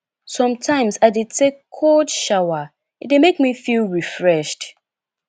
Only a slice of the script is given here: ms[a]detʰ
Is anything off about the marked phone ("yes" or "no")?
no